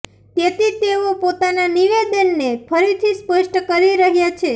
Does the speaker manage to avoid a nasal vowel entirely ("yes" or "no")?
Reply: yes